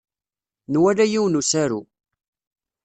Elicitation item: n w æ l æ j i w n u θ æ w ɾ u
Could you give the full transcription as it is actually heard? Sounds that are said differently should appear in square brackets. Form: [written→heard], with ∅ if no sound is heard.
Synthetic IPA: n w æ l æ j i w n u [θ→s] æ [w→∅] ɾ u